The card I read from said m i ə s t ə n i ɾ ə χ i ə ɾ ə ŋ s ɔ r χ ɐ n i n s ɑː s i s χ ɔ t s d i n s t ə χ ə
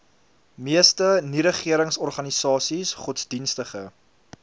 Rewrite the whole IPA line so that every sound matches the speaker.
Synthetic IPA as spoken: m i ə s t ə n i ɾ ə χ i ə ɾ ə ŋ s ɔ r χ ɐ n i s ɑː s i s χ ɔ t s d i n s t ə χ ə